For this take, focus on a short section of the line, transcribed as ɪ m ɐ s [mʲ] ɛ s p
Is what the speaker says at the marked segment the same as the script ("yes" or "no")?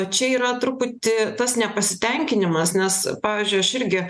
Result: no